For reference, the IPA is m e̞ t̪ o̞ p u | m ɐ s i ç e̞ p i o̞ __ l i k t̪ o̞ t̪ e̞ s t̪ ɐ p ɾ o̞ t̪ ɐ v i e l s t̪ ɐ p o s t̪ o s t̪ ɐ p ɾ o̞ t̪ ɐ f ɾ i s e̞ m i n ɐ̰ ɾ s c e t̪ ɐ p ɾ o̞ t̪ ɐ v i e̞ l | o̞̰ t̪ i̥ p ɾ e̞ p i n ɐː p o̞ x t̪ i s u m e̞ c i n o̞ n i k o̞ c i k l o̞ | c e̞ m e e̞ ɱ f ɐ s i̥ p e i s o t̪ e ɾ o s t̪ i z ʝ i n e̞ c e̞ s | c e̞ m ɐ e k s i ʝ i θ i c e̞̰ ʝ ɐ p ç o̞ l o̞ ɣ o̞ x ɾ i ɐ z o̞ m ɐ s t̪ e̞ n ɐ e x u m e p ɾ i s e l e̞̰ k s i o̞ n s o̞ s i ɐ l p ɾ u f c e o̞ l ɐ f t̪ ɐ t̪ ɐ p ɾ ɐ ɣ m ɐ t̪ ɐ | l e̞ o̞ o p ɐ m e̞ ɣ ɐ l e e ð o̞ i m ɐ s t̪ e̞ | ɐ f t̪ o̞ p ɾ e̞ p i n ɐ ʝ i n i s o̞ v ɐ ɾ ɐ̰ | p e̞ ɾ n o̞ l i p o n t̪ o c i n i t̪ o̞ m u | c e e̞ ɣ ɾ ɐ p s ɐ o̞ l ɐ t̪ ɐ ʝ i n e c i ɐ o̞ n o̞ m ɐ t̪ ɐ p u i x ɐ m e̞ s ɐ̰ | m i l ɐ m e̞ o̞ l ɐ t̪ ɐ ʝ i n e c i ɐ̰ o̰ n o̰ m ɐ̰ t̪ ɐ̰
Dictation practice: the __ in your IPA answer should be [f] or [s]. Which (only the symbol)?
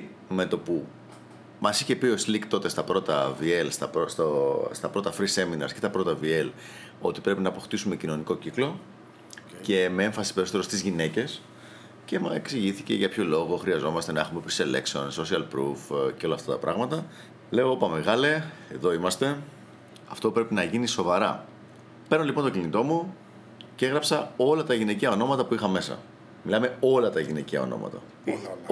s